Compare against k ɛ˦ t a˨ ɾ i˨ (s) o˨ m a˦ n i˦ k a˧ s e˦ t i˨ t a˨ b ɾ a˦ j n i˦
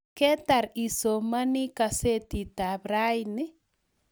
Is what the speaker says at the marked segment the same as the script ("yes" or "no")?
yes